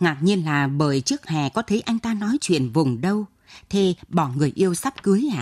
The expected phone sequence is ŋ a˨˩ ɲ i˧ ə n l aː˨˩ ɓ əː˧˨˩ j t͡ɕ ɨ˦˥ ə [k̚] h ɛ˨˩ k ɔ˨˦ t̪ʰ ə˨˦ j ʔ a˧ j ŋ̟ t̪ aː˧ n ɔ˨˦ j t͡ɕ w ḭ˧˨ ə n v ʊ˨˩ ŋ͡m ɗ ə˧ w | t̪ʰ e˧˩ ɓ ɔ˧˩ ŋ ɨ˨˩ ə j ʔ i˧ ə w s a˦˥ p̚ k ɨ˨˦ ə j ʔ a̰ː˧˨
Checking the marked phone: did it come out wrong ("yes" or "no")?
no